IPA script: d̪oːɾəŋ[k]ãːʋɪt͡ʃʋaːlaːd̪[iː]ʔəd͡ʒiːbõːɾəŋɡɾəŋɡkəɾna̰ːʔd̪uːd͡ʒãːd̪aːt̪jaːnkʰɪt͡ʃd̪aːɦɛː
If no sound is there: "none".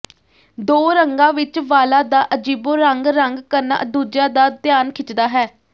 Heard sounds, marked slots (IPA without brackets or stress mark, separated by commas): ɡ, aː